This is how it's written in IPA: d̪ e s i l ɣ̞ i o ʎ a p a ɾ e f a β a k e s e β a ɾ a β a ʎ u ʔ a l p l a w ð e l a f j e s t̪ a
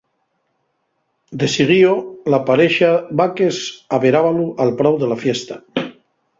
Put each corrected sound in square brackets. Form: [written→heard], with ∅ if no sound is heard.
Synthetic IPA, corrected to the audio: d̪ e s i [l→∅] ɣ̞ i o [ʎ→l] a p a ɾ e [f→ʃ] a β a k e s [e→a] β [a→e] ɾ a β a [ʎ→l] u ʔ a l p [l→ɾ] a w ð e l a f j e s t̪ a